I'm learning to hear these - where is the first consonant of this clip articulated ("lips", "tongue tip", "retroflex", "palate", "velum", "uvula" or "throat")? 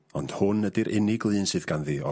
tongue tip